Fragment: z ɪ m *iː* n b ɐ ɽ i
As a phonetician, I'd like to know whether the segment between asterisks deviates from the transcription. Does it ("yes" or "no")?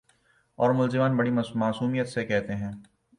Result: yes